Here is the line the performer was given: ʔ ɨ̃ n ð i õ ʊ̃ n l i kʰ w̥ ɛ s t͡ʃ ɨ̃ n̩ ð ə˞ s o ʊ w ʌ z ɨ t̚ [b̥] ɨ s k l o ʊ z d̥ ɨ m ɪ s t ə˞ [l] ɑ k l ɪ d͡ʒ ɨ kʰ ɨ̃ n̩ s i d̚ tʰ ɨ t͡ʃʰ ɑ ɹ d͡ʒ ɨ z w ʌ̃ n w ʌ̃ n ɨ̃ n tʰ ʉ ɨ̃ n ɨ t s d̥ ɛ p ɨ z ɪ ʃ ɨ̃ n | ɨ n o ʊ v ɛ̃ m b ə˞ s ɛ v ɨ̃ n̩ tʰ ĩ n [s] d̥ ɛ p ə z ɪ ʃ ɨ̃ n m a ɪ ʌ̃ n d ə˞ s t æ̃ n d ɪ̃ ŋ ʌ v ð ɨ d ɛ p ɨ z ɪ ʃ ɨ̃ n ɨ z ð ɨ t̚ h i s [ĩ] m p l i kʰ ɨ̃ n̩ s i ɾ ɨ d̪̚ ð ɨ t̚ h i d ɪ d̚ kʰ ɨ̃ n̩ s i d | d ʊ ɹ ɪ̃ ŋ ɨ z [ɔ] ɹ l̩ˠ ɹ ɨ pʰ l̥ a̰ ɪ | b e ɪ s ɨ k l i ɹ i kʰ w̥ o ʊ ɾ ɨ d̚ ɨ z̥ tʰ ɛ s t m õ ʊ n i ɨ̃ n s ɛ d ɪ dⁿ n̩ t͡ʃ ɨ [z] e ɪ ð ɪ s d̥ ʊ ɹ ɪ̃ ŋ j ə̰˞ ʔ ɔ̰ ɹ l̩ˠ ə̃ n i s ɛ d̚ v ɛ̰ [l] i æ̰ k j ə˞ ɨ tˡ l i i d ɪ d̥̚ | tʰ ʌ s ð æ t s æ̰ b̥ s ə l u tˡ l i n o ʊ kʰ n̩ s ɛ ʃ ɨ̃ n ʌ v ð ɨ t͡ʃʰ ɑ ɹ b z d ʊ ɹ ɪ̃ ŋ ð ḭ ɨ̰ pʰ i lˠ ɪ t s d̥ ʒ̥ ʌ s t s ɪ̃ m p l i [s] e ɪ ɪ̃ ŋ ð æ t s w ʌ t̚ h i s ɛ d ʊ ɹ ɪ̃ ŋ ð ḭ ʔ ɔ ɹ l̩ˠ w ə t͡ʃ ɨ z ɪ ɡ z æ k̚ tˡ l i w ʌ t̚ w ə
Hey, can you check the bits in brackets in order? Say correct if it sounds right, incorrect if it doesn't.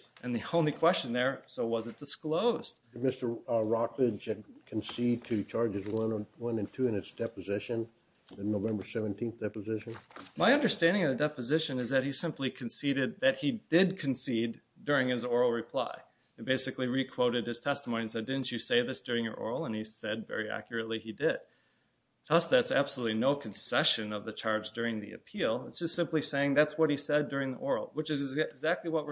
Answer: incorrect: d̥, incorrect: ɹ, incorrect: θ, incorrect: ɪ̃, correct, incorrect: s, incorrect: ɹ, correct

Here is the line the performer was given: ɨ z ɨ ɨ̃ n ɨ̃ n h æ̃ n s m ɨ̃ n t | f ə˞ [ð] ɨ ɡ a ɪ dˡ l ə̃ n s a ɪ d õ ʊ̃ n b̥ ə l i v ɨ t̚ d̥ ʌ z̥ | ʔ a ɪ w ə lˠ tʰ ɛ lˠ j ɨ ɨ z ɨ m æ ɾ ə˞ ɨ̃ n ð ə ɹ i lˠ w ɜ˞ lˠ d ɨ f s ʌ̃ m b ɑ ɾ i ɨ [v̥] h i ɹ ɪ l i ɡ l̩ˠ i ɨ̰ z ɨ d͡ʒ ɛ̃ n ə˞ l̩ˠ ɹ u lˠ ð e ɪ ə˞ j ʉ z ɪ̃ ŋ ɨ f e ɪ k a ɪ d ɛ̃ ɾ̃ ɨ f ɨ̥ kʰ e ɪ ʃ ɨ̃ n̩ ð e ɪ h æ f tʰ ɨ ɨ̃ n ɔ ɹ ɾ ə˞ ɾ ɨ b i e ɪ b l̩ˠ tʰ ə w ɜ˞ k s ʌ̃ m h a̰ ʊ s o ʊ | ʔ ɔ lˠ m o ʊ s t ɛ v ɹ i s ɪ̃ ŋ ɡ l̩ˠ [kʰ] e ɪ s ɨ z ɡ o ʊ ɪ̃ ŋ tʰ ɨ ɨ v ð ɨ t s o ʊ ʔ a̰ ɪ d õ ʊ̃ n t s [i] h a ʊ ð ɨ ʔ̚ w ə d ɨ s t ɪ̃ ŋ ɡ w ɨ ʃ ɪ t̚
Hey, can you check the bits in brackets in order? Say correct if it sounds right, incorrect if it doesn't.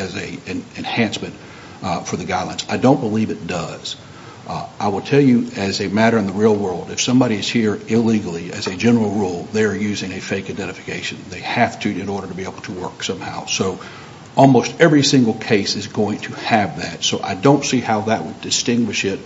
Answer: correct, incorrect: z̥, correct, correct

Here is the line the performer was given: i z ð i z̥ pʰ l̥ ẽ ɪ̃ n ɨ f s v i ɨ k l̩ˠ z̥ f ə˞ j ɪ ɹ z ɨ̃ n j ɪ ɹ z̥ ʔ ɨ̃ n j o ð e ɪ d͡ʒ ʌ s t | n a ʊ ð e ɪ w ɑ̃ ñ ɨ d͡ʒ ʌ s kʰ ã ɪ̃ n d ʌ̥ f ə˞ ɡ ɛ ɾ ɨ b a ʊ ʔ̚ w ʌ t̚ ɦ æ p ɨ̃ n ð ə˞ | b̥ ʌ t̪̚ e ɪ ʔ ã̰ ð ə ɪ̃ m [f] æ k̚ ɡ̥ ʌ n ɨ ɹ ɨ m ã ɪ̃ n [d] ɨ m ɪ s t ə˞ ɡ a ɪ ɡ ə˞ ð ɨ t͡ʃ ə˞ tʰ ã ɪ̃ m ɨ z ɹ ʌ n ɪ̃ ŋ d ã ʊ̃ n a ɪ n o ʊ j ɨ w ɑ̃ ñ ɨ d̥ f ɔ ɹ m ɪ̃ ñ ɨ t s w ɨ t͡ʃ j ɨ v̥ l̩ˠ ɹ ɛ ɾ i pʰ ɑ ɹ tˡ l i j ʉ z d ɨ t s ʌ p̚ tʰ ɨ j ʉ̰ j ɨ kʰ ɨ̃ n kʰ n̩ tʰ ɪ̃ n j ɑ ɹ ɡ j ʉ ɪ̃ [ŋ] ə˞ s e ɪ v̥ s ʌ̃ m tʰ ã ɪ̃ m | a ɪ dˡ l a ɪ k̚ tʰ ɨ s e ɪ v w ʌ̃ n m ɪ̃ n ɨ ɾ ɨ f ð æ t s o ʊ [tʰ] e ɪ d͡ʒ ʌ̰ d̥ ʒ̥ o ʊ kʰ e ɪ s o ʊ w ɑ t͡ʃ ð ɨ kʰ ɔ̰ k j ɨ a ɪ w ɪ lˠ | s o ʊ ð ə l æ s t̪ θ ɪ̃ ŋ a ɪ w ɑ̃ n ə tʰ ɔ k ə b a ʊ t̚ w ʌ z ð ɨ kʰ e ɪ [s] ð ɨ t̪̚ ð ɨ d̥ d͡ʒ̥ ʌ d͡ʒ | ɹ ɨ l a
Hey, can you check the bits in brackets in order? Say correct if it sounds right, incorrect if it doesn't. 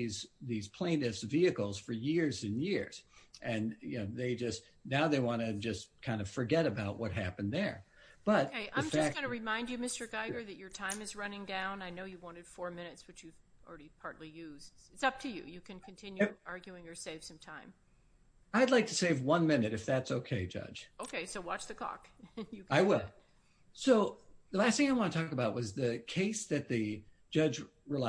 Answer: correct, incorrect: d͡ʒ, correct, incorrect: kʰ, correct

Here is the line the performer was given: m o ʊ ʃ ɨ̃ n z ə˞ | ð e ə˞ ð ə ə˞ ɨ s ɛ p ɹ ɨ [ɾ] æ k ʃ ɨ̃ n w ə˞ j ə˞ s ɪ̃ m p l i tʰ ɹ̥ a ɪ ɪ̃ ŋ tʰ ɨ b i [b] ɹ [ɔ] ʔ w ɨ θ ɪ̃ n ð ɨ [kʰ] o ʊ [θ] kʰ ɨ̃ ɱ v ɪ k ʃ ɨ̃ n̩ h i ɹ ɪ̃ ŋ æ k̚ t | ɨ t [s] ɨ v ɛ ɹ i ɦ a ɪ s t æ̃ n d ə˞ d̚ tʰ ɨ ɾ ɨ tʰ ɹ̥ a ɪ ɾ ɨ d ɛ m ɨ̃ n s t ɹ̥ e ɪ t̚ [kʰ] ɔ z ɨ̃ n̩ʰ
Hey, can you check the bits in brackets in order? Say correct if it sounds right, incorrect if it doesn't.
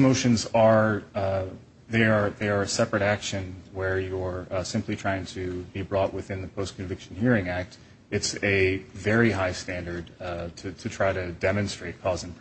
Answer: correct, correct, correct, incorrect: pʰ, incorrect: s, correct, correct

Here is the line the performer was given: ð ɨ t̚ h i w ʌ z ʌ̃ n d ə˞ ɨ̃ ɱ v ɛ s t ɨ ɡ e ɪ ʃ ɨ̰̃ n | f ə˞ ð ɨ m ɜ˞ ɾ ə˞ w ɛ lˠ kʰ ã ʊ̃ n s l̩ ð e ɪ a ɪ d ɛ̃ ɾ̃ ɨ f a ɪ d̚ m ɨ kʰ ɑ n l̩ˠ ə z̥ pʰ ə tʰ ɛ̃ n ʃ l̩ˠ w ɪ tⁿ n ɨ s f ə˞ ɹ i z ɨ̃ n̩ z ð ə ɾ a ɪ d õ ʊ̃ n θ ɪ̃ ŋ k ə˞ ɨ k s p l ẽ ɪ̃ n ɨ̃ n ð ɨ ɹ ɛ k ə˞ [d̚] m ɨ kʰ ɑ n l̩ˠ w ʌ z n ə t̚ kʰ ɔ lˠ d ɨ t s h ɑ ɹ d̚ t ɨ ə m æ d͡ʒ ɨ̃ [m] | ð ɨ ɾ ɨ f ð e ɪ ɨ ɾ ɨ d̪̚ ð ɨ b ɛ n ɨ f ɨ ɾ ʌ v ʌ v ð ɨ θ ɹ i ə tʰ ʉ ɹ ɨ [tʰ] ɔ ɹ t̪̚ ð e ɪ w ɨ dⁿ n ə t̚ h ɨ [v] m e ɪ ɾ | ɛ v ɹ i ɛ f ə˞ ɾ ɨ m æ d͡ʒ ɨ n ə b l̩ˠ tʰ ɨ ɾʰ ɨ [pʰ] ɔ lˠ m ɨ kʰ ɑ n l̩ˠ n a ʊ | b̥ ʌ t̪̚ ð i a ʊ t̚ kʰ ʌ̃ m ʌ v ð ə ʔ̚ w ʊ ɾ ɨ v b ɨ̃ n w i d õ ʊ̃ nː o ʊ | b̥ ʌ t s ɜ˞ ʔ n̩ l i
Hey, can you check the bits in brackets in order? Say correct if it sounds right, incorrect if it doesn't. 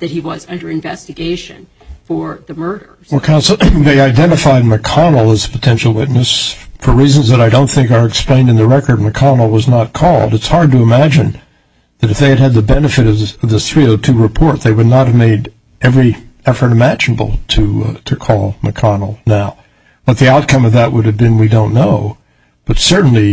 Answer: correct, incorrect: n, incorrect: pʰ, correct, incorrect: kʰ

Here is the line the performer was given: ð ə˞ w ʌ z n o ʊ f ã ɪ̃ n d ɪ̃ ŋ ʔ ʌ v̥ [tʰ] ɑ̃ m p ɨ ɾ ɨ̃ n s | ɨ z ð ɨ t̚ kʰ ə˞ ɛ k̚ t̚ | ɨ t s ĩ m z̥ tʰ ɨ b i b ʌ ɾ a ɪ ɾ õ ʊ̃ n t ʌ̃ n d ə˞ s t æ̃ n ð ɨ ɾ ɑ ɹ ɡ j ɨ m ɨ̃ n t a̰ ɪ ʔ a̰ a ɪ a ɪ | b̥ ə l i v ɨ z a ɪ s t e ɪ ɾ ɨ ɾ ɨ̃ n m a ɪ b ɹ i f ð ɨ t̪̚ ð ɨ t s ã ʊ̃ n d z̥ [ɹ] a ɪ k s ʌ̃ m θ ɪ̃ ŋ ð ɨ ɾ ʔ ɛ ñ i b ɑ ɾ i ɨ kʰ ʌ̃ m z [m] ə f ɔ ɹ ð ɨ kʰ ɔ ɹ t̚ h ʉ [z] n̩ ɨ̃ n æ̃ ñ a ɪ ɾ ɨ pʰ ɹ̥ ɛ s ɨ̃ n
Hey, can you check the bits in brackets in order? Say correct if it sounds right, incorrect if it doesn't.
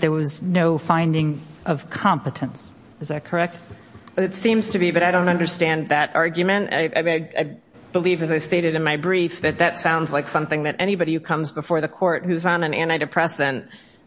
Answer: incorrect: kʰ, incorrect: l, incorrect: b, correct

